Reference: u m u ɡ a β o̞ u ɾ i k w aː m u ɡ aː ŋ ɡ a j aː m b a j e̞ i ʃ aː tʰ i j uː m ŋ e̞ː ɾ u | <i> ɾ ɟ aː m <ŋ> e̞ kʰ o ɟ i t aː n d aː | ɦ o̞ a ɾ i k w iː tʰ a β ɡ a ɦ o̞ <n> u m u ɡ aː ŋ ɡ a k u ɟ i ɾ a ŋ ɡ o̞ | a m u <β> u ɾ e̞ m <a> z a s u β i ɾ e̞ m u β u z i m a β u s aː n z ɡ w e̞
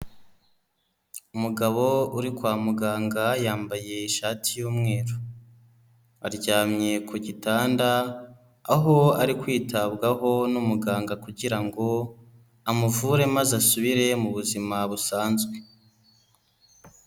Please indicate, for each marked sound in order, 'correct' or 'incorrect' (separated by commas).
incorrect, incorrect, correct, incorrect, correct